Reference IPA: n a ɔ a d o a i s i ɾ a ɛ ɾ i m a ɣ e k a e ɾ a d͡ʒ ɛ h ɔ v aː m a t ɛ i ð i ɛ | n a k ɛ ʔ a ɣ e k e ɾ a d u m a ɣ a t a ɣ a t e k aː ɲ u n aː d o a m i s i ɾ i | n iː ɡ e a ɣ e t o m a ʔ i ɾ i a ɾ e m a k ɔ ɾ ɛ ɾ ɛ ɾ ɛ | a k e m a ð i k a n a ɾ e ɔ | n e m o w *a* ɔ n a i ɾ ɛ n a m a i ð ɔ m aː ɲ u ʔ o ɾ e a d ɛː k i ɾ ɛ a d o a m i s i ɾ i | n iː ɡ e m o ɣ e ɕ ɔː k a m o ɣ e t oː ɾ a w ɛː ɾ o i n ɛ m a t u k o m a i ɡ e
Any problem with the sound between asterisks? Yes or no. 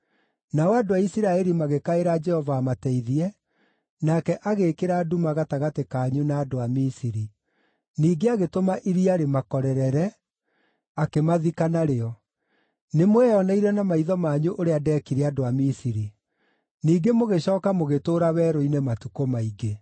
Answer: yes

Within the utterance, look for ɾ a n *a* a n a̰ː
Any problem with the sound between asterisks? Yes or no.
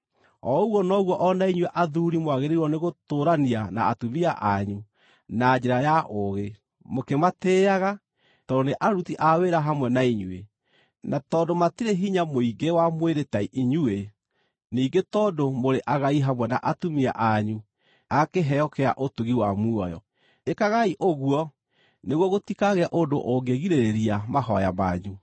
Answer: yes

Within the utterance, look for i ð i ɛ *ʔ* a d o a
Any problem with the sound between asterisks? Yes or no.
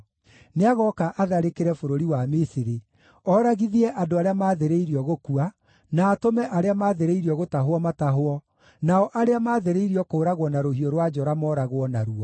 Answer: no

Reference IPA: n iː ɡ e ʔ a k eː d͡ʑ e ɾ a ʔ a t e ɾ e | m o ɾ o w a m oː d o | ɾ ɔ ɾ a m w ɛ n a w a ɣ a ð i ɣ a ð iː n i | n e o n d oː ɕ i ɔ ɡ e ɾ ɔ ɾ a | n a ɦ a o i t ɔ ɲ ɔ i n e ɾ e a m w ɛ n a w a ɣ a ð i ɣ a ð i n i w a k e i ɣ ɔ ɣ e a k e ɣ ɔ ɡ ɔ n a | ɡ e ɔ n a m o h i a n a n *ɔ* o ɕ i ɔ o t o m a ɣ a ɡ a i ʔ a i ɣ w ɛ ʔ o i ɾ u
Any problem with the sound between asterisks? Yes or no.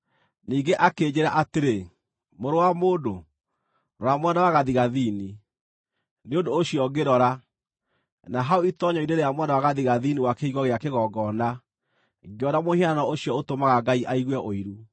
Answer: no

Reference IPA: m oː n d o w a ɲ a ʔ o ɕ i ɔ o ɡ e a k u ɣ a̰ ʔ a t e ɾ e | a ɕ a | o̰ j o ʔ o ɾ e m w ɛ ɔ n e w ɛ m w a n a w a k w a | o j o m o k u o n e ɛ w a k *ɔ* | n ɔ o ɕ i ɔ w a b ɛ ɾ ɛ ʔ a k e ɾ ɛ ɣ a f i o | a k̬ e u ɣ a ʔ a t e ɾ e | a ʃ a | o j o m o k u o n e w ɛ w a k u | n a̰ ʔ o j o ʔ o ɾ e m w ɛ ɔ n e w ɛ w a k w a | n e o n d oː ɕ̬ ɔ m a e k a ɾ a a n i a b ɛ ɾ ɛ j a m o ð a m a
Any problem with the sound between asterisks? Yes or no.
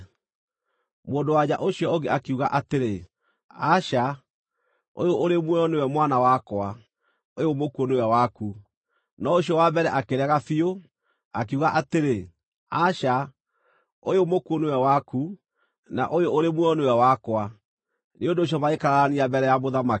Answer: yes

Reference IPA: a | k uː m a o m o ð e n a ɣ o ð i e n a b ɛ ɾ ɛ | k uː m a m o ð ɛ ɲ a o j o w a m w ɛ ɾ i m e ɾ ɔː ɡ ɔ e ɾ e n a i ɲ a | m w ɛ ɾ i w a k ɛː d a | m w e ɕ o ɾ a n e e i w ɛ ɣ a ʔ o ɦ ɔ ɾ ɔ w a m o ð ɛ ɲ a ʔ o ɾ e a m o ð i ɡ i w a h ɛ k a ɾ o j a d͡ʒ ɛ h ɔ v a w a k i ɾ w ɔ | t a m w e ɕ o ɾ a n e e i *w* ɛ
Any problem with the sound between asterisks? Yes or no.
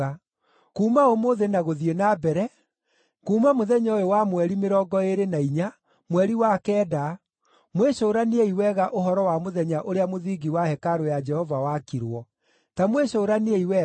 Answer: no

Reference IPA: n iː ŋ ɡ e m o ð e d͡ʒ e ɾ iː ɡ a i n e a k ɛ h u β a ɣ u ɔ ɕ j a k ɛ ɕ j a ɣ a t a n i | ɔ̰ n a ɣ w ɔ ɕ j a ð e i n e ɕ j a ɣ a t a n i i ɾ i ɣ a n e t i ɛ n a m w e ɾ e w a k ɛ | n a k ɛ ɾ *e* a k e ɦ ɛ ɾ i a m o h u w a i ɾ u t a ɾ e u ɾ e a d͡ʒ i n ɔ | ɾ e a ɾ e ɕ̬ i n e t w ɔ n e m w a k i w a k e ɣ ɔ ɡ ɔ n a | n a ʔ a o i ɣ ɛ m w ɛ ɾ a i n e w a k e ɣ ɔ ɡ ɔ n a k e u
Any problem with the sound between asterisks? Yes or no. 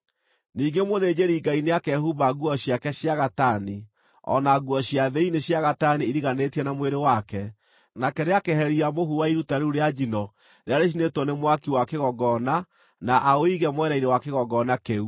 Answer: no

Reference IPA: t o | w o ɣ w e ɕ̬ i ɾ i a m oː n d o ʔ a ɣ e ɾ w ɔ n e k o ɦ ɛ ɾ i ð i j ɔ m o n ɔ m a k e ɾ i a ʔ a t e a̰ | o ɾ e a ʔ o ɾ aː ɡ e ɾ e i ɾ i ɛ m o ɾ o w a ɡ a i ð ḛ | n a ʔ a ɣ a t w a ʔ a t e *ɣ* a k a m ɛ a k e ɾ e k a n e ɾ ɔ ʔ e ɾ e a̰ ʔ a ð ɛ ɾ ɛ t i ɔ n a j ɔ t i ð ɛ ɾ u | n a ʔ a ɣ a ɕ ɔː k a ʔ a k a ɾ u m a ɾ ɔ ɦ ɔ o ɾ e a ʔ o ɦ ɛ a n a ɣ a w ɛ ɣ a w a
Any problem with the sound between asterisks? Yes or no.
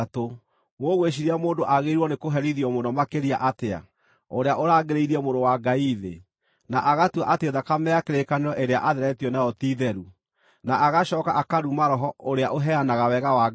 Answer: yes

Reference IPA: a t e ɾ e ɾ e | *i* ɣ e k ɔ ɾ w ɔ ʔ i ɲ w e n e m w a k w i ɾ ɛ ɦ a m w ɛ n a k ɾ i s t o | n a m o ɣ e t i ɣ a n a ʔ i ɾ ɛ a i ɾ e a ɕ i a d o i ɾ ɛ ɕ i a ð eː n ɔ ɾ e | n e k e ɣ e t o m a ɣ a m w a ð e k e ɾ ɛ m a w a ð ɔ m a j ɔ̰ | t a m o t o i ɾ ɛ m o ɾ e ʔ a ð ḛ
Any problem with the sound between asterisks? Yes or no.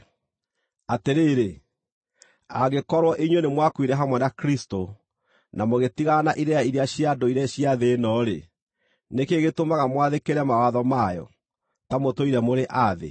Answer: yes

